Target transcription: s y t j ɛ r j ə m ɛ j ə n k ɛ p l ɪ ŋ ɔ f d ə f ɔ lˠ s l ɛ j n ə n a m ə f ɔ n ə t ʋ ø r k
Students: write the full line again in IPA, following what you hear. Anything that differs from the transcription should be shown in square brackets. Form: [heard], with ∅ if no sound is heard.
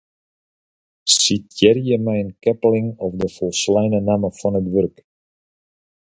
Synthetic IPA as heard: s [i] t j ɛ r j ə m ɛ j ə n k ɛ p l ɪ ŋ ɔ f d ə f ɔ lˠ s l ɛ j n ə n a m ə f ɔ n ə t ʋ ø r k